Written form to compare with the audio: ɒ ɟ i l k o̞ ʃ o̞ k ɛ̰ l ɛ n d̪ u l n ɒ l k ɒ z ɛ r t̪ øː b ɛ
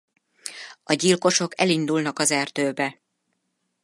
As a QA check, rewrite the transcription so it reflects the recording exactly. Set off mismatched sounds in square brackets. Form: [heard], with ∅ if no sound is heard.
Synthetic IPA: ɒ ɟ i l k o̞ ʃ o̞ k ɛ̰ l [i] n d̪ u l n ɒ [∅] k ɒ z ɛ r t̪ øː b ɛ

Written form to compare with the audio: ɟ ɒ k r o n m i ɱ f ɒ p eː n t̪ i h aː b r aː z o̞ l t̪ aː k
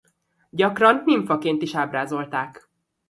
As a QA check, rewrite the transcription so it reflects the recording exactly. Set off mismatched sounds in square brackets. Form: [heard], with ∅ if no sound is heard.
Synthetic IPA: ɟ ɒ k r [ɒ] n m i ɱ f ɒ [k] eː n t̪ i [ʃ] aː b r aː z o̞ l t̪ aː k

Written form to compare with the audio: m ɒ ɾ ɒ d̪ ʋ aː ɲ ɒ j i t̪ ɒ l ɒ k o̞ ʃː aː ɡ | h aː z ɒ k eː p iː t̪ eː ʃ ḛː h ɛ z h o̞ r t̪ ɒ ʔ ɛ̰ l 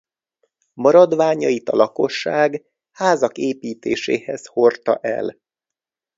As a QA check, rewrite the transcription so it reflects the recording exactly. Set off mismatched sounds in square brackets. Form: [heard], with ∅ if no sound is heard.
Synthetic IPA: m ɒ ɾ ɒ d̪ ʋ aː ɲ ɒ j i t̪ ɒ l ɒ k o̞ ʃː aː ɡ | h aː z ɒ k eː p iː t̪ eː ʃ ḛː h ɛ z h o̞ r t̪ ɒ ʔ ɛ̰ l

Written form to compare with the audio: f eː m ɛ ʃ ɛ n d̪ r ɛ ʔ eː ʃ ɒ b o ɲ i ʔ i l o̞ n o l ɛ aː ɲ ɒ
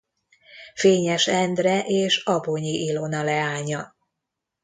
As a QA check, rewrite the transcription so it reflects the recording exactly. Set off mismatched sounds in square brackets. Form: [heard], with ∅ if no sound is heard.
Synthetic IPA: f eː [ɲ] ɛ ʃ ɛ n d̪ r ɛ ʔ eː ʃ ɒ b o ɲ i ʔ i l o̞ n [ɒ] l ɛ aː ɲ ɒ

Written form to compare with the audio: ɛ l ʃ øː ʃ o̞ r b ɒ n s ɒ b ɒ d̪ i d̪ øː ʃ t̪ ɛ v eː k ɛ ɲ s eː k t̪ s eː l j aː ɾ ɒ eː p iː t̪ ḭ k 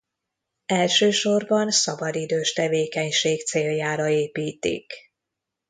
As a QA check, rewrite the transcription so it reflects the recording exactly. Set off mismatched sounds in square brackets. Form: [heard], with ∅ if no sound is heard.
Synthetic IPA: ɛ l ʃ øː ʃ o̞ r b ɒ n s ɒ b ɒ d̪ i d̪ øː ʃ t̪ ɛ v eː k ɛ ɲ [ʃ] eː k t̪ s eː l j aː ɾ ɒ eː p iː t̪ ḭ k

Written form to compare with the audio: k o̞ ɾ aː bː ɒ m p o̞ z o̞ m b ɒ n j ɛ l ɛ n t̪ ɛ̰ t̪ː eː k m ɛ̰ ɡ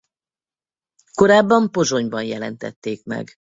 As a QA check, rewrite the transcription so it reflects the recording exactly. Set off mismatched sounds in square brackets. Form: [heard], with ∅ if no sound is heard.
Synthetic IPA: k o̞ ɾ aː bː ɒ m p o̞ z o̞ [ɲ] b ɒ n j ɛ l ɛ n t̪ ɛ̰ t̪ː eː k m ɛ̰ ɡ

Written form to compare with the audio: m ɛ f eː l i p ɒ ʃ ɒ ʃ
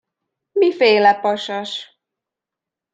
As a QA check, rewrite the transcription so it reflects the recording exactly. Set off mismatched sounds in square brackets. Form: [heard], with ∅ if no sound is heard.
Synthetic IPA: m [i] f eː l [ɛ] p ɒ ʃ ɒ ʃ

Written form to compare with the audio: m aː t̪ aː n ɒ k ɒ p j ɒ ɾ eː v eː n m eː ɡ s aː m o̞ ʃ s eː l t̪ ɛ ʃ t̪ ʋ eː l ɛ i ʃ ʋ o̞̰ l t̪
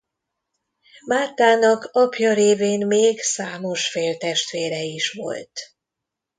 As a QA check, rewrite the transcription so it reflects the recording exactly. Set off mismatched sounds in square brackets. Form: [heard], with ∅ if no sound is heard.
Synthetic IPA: m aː t̪ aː n ɒ k ɒ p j ɒ ɾ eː v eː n m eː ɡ s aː m o̞ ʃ [f] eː l t̪ ɛ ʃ t̪ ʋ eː [ɾ] ɛ i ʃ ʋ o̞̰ l t̪

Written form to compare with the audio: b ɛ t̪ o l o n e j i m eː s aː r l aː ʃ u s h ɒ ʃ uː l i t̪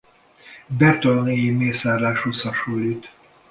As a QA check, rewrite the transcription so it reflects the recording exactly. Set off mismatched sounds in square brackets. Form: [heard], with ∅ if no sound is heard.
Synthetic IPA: b ɛ t̪ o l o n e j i m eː s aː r l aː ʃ u s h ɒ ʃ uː l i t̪

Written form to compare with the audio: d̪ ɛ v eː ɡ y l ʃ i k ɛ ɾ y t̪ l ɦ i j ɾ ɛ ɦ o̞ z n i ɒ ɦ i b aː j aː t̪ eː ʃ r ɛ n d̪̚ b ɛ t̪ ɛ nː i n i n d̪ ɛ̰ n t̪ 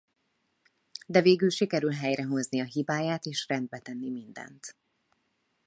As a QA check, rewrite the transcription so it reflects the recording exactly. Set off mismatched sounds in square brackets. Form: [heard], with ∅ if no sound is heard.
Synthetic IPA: d̪ ɛ v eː ɡ y l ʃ i k ɛ ɾ y [∅] l ɦ [ɛ] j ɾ ɛ ɦ o̞ z n i ɒ ɦ i b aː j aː t̪ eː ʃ r ɛ n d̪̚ b ɛ t̪ ɛ nː i [m] i n d̪ ɛ̰ n t̪

